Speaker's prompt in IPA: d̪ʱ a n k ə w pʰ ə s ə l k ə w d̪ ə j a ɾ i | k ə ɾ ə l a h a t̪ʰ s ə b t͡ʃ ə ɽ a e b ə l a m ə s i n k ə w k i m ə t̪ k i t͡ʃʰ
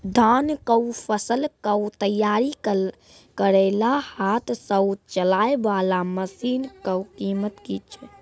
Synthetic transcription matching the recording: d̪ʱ a n k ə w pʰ ə s ə l k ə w t̪ ə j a ɾ i | k ə ɾ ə l a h a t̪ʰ s ə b t͡ʃ ə l a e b a l a m ə s i n k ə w k i m ə t̪ k i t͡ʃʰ